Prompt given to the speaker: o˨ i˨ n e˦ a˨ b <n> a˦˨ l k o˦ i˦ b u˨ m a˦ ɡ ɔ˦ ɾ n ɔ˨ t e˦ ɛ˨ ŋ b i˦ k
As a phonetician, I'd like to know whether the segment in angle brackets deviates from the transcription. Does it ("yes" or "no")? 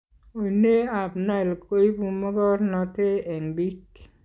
no